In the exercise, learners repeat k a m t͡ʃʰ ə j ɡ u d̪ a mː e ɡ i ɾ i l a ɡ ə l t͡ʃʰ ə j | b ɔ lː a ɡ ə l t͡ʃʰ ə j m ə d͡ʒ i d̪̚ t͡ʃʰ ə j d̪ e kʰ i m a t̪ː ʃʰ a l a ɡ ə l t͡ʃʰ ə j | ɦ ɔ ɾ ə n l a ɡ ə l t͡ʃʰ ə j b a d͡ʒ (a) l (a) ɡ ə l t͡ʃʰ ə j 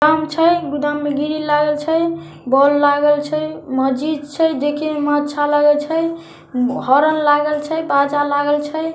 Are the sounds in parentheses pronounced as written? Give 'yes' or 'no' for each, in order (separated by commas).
yes, yes